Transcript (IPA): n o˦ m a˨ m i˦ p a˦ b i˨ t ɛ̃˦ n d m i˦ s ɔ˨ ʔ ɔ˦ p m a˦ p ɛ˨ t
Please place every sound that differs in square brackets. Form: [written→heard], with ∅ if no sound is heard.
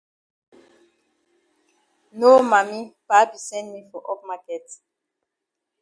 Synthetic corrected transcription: n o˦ m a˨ m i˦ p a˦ b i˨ [t→s] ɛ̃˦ n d m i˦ [s→f] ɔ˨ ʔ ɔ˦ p m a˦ [p→k] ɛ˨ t

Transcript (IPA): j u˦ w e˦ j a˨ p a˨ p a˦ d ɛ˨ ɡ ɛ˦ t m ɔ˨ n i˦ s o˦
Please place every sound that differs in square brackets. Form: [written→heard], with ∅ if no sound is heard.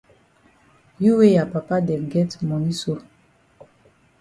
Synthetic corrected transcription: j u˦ w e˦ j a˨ p a˨ p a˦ d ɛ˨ ɡ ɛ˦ t m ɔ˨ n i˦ s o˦

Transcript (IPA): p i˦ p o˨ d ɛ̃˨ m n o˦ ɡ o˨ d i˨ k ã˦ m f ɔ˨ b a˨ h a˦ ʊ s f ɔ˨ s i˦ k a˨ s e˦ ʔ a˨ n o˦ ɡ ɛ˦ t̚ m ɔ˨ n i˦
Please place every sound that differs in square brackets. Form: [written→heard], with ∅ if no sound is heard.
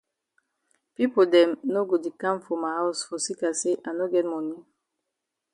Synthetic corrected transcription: p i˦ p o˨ d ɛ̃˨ m n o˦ ɡ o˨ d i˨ k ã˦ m f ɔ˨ [b→m] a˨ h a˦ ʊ s f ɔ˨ s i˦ k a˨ s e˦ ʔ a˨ n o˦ ɡ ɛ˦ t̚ m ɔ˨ n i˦

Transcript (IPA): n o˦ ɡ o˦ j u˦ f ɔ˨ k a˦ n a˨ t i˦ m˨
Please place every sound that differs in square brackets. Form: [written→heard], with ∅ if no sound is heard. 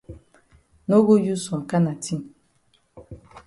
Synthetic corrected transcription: n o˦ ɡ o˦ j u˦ [f→s] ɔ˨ k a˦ n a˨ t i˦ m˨

